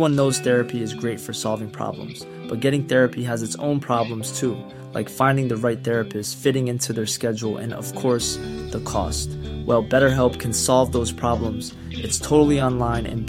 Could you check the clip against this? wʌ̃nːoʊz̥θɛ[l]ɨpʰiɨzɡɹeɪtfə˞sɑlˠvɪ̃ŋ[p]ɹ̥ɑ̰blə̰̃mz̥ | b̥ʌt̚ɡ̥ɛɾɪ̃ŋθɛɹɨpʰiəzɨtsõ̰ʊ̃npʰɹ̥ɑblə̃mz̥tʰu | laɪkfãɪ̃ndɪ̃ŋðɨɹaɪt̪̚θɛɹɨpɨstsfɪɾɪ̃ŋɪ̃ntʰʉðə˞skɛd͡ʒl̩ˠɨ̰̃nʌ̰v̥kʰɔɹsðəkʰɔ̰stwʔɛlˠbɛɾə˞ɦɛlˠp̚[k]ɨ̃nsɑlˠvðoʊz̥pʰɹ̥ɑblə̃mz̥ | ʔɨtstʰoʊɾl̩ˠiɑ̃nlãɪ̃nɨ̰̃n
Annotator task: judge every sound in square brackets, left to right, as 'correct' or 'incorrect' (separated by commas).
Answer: incorrect, incorrect, incorrect